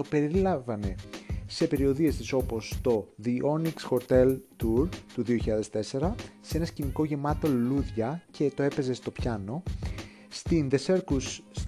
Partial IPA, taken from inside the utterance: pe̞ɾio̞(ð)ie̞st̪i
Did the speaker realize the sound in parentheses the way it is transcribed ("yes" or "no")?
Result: yes